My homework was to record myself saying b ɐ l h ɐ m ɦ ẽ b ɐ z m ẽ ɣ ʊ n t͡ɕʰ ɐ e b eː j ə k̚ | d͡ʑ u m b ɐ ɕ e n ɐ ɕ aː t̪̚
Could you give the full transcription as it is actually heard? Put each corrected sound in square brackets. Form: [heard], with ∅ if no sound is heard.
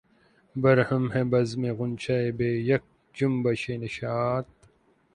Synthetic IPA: b ɐ [ɾ] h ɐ m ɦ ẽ b ɐ z m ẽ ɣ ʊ n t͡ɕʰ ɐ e b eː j [ɐ] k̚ | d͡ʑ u m b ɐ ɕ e n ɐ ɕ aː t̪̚